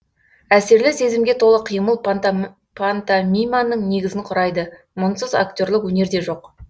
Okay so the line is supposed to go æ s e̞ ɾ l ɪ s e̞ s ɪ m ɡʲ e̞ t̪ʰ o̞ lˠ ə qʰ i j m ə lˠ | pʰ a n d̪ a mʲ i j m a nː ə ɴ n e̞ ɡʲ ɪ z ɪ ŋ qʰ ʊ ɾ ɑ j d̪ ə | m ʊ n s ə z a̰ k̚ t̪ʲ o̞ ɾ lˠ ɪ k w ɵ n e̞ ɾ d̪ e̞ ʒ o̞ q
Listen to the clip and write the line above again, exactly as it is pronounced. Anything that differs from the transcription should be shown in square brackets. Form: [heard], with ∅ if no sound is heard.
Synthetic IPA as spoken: æ s e̞ ɾ l ɪ s e̞ [z] ɪ m ɡʲ e̞ t̪ʰ o̞ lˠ ə qʰ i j m ə lˠ | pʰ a n [t̪] a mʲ i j m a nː ə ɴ n e̞ ɡʲ ɪ z ɪ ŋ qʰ ʊ ɾ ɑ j d̪ ə | m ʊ n s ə z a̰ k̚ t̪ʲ o̞ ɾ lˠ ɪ k w ɵ n e̞ ɾ d̪ e̞ ʒ o̞ q